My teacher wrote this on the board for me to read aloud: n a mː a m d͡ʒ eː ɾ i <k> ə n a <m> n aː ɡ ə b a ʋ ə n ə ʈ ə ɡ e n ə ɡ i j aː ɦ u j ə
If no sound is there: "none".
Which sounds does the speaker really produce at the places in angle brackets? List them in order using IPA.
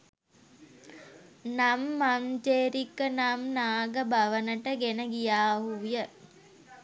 k, m

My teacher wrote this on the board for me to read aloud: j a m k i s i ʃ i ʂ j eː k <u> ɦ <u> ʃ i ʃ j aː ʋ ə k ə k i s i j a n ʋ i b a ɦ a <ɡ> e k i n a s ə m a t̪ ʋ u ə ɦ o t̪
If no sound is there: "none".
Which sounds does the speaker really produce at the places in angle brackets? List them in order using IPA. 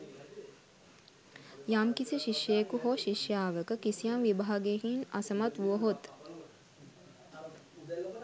u, o, ɡ

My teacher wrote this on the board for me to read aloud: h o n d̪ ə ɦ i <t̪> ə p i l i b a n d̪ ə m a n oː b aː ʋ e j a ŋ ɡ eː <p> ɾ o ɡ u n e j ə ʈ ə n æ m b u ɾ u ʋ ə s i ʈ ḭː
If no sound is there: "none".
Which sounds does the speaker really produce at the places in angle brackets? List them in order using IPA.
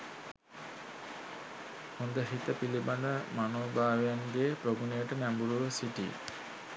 t̪, p

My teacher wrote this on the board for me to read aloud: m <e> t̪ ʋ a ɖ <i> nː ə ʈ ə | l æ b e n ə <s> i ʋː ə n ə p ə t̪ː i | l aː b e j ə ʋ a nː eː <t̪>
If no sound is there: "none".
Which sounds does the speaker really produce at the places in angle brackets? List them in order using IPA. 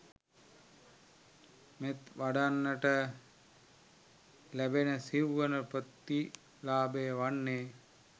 e, a, s, none

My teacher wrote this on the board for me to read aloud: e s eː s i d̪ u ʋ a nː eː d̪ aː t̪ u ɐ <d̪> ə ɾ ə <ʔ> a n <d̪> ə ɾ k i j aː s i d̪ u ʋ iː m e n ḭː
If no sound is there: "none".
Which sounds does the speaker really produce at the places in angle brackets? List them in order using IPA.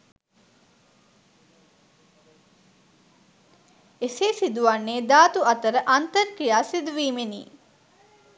t̪, ʔ, t̪

